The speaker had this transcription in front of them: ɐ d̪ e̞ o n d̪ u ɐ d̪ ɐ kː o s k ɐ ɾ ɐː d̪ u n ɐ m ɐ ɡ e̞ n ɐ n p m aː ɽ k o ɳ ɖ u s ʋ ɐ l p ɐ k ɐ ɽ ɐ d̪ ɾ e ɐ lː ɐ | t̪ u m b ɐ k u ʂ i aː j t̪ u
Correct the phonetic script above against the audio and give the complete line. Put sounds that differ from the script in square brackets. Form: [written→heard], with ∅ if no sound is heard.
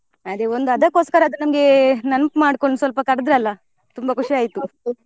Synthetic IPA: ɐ d̪ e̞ o n d̪ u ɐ d̪ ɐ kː o s k ɐ ɾ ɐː d̪ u n ɐ m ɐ ɡ e̞ n ɐ n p m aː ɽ k o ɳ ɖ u s ʋ ɐ l p ɐ k ɐ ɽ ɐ d̪ ɾ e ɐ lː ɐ | t̪ u m b ɐ k u ʂ i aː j t̪ u